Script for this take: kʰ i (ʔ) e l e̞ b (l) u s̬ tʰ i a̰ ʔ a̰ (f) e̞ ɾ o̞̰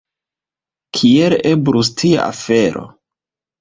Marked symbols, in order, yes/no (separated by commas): no, no, yes